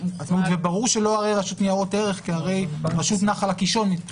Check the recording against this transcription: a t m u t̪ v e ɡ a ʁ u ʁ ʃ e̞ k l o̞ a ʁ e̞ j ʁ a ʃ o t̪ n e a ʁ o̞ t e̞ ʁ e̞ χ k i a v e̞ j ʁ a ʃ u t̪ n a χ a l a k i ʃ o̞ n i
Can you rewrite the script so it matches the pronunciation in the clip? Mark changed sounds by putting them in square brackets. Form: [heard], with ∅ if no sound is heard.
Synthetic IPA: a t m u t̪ v e [b] a ʁ u ʁ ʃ e̞ [∅] l o̞ a ʁ e̞ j ʁ a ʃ [u] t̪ n [i] a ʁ o̞ t e̞ ʁ e̞ χ k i a [ʁ] e̞ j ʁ a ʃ u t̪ n a χ a l a k i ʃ o̞ n i